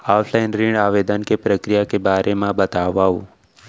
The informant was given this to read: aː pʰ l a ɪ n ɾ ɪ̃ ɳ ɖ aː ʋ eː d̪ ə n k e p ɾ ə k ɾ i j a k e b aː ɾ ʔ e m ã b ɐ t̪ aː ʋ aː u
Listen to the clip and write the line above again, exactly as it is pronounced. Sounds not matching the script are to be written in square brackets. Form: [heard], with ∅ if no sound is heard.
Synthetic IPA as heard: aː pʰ l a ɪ n ɾ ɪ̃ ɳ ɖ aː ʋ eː d̪ ə n k e p ɾ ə k ɾ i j a k e b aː ɾ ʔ e m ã b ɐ t̪ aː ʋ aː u

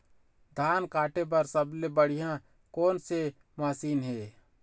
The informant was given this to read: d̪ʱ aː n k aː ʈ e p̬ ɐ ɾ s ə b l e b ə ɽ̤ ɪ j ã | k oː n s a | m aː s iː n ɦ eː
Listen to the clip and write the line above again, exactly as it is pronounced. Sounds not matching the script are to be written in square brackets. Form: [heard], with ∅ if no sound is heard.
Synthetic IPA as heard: d̪ʱ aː n k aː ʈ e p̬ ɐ ɾ s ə b l e b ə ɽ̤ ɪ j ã | k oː n s [e] | m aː s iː n ɦ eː

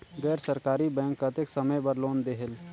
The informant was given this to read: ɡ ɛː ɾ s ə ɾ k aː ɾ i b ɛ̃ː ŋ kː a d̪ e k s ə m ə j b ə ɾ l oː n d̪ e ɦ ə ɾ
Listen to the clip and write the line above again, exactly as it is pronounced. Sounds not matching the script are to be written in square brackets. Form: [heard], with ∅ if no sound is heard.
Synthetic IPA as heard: ɡ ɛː ɾ s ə ɾ k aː ɾ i b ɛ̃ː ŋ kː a [t̪] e k s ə m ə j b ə ɾ l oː n d̪ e ɦ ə [l]

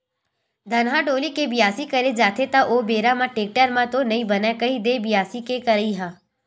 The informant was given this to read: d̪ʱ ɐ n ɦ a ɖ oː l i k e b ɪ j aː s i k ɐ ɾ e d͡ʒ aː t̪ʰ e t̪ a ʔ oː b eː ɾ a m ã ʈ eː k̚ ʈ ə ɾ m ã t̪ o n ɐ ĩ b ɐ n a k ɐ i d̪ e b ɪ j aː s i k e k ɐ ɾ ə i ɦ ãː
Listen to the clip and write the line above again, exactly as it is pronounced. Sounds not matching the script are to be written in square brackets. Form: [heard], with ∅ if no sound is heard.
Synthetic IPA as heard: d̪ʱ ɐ n ɦ a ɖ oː l i k e b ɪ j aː s i k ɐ ɾ e d͡ʒ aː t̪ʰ e t̪ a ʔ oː b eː ɾ a m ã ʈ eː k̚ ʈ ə ɾ m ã t̪ o n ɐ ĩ b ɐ n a k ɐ i d̪ e b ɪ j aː s i k e k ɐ ɾ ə i ɦ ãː

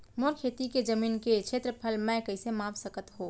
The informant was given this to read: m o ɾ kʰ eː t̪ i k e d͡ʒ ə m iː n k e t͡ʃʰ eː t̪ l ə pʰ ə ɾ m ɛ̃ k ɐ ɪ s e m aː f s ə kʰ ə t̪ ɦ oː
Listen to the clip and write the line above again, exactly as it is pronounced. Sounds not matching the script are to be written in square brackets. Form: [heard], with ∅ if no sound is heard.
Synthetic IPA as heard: m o ɾ kʰ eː t̪ i k e d͡ʒ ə m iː n k e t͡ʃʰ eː t̪ [ɾ] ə pʰ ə [l] m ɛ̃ k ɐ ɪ s e m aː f s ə [k] ə t̪ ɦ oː

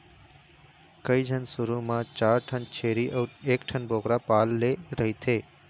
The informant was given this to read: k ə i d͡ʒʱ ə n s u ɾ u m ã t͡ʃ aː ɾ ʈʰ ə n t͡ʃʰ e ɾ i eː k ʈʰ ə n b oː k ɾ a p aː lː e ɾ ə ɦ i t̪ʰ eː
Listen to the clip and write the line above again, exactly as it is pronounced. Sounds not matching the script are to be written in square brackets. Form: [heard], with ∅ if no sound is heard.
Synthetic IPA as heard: k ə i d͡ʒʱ ə n s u ɾ u m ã t͡ʃ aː ɾ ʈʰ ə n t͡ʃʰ e ɾ i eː k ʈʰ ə n b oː k ɾ a p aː lː e ɾ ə ɦ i t̪ʰ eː

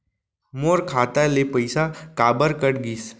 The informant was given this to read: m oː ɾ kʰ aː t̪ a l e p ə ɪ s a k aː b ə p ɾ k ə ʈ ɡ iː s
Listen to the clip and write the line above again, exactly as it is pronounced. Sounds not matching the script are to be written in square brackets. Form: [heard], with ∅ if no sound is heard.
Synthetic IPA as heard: m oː ɾ kʰ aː t̪ a l e p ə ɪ s a k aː b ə [∅] ɾ k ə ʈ ɡ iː s

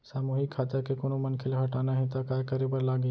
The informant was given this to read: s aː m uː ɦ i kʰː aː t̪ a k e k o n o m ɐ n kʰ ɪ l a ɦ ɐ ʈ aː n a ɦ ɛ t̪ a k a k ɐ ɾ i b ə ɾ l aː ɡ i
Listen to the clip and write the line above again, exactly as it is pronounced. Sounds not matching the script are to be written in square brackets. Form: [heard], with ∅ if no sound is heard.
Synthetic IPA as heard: s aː m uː ɦ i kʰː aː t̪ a k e k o n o m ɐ n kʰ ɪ l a ɦ ɐ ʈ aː n a ɦ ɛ t̪ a k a k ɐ ɾ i b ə ɾ l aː ɡ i

